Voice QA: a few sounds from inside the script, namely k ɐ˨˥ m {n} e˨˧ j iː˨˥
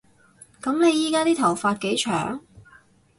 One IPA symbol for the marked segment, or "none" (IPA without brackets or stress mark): n